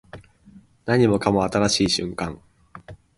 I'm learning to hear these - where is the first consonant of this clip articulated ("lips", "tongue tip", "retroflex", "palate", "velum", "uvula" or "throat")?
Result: tongue tip